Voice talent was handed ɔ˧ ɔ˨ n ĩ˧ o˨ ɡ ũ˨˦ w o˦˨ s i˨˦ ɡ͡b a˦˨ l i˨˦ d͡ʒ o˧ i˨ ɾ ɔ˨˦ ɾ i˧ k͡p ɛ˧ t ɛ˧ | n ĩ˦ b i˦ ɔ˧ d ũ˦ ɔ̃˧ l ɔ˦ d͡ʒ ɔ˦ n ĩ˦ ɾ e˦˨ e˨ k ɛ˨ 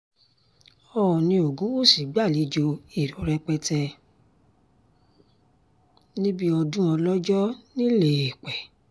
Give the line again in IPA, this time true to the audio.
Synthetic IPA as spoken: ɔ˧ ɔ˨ n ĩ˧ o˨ ɡ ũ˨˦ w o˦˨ s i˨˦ ɡ͡b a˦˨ l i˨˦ d͡ʒ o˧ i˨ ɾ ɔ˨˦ ɾ ɛ˧ k͡p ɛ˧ t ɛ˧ | n ĩ˦ b i˦ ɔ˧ d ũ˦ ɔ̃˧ l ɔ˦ d͡ʒ ɔ˦ n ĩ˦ l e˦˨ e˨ k͡p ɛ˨